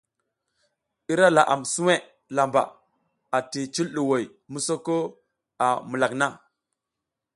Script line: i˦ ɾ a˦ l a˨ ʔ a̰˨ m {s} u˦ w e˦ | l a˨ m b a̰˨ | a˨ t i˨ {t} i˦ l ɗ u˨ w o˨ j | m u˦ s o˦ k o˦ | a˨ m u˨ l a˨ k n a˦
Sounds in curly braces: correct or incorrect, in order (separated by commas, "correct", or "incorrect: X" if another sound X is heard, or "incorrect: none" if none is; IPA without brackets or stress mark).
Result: correct, incorrect: t͡ʃ